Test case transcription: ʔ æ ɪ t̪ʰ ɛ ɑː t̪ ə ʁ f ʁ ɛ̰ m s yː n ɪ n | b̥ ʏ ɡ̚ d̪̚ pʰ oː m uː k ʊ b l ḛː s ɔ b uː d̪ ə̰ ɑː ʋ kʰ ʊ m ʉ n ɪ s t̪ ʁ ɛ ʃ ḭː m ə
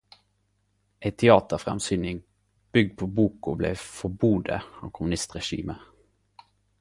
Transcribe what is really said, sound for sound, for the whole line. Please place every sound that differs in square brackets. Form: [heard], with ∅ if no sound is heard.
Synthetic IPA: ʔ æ ɪ t̪ʰ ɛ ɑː t̪ ə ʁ f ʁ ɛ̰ m s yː n ɪ [ŋ] | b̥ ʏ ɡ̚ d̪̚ pʰ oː [b] uː k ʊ b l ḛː [f] ɔ b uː d̪ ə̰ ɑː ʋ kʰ ʊ m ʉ n ɪ s t̪ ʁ ɛ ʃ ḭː m ə